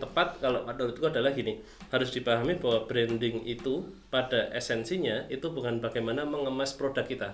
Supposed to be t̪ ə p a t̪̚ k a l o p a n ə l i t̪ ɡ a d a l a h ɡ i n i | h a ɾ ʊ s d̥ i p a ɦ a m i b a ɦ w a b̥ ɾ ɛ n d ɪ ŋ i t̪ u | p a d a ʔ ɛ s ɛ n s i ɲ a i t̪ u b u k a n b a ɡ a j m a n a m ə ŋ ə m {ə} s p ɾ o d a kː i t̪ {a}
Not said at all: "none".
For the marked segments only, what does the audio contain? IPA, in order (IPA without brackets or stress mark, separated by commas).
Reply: a, a